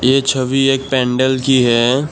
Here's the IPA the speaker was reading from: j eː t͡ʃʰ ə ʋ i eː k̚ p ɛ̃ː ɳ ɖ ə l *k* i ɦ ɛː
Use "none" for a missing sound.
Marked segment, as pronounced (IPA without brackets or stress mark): k